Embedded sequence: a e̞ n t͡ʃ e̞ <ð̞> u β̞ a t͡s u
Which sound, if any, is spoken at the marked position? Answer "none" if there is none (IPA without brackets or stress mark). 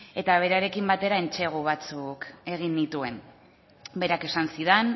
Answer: ɣ̞